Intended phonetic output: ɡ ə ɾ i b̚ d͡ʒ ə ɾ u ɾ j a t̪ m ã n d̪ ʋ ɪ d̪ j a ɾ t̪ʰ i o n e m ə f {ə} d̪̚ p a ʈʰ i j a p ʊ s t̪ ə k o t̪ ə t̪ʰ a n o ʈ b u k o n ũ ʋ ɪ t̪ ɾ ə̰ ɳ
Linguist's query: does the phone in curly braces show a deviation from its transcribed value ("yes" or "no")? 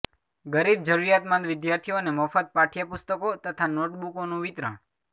no